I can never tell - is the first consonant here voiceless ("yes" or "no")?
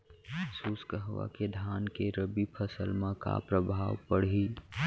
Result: yes